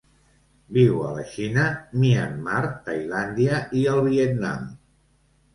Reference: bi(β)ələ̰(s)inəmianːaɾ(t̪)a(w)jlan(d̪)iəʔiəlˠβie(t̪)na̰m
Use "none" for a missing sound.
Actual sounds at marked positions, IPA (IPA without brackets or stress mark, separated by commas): w, ʃ, t̪, none, d̪, t̪